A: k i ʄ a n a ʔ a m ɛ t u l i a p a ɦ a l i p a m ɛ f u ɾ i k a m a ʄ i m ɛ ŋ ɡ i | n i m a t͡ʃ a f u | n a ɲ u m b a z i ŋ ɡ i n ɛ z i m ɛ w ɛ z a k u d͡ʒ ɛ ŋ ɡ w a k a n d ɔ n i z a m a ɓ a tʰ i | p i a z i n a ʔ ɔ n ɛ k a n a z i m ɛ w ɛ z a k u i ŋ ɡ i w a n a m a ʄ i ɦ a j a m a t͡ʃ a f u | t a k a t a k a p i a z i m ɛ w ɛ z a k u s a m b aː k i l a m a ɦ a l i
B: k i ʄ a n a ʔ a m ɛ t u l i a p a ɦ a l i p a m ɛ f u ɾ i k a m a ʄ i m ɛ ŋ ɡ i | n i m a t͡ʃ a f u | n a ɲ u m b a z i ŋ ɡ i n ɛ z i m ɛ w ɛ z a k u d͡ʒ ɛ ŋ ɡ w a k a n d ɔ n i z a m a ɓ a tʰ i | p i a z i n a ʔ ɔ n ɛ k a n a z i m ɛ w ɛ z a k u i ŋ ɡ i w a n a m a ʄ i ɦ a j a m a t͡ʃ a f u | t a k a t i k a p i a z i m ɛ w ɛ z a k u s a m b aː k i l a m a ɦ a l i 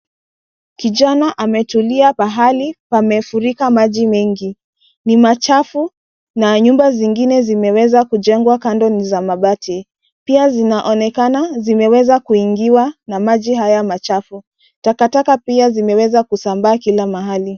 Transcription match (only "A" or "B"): A